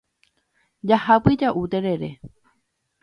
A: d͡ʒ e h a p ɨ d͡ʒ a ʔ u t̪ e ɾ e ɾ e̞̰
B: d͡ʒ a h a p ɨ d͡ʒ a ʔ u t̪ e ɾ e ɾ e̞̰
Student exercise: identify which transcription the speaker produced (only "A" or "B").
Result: B